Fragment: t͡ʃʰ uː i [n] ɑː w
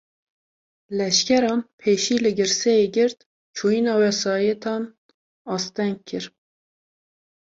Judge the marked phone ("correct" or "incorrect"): correct